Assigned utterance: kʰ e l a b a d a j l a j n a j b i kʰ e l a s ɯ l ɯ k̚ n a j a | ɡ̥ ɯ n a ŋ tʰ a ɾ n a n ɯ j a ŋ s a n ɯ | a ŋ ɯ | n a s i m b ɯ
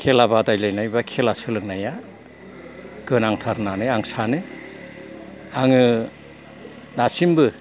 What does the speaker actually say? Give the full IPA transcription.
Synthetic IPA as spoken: kʰ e l a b a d a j l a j n a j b a kʰ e l a s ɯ l ɯ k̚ n a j a | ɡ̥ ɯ n a ŋ tʰ a ɾ n a n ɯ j a ŋ s a n ɯ | a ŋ ɯ | n a s i m b ɯ